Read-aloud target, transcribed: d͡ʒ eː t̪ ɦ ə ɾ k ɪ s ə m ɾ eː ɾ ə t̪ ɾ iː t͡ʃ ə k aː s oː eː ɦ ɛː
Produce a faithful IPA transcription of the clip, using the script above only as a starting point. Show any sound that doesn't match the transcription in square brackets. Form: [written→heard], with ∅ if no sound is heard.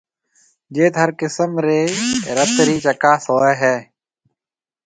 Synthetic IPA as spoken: d͡ʒ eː t̪ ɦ ə ɾ k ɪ s ə m ɾ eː ɾ ə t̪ ɾ iː t͡ʃ ə k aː s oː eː ɦ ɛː